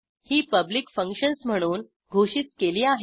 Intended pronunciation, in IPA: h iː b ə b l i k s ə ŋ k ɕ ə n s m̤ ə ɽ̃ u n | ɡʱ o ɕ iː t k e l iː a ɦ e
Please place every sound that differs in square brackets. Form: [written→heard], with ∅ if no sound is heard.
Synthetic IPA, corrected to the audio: h iː [b→p] ə b l i k [s→f] ə ŋ k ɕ ə n s m̤ ə ɽ̃ [u→uː] n | ɡʱ o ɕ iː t k e l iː a ɦ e